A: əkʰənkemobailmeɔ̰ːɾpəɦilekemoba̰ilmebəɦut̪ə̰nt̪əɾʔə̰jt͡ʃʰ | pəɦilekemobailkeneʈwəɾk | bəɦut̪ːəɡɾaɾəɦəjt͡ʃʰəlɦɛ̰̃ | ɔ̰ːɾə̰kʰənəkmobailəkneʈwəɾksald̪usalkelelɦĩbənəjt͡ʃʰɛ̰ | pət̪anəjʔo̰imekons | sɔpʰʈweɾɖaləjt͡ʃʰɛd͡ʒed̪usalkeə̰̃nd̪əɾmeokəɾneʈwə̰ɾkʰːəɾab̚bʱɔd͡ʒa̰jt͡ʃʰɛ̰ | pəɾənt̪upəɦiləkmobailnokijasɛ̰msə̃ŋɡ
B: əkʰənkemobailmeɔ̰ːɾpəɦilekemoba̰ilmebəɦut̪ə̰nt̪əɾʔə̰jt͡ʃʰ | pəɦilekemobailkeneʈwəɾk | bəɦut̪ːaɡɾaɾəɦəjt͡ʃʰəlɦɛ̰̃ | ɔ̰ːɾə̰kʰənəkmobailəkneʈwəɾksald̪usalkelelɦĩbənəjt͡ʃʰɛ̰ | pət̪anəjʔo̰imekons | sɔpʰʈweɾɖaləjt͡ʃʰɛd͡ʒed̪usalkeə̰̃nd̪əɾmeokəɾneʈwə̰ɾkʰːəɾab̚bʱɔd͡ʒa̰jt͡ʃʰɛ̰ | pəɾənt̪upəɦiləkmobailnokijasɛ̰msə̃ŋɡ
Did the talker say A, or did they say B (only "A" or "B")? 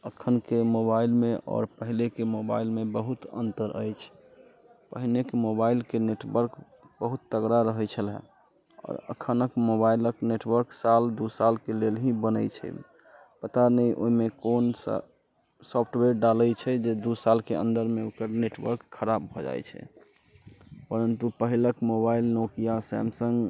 A